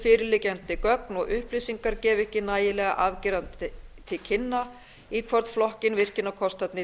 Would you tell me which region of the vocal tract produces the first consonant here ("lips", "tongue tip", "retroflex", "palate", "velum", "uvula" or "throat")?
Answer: lips